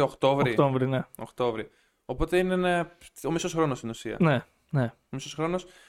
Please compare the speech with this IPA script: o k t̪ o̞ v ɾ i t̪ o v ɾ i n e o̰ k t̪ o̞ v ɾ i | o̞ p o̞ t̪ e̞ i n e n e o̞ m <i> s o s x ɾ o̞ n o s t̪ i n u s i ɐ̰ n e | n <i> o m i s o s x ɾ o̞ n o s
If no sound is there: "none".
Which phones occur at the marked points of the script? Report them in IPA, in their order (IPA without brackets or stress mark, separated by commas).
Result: i, e